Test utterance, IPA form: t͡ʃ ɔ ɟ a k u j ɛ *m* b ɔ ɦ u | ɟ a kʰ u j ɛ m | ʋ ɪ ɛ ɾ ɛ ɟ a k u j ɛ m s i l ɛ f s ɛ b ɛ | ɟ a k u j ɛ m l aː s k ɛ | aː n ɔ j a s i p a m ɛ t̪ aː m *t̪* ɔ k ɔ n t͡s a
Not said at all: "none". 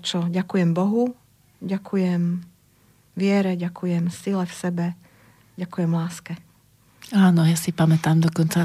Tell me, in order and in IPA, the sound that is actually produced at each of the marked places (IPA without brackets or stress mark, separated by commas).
m, d̪